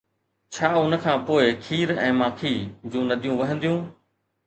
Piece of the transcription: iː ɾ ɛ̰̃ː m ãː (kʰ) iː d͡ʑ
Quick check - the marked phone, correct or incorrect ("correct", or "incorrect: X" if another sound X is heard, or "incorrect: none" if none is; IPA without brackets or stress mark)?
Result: correct